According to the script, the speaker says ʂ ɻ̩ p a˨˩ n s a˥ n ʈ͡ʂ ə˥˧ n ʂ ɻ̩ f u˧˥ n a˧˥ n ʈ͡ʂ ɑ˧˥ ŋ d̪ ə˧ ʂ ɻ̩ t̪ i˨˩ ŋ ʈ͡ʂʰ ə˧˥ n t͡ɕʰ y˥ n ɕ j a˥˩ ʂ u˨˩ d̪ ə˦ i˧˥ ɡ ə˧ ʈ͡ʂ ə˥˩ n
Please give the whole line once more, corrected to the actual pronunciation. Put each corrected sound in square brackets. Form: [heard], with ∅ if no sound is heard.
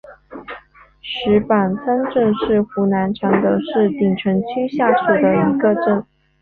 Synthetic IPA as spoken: ʂ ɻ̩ p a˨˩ n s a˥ n ʈ͡ʂ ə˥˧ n ʂ ɻ̩ [x] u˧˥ n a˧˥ n [ʈ͡ʂʰ] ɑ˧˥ ŋ d̪ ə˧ ʂ ɻ̩ t̪ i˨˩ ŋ ʈ͡ʂʰ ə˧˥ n t͡ɕʰ y˥ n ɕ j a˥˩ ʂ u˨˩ d̪ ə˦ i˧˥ ɡ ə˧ ʈ͡ʂ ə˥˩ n